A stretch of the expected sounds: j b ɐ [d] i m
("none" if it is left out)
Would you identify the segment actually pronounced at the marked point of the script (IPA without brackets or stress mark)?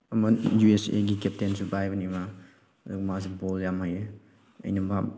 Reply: n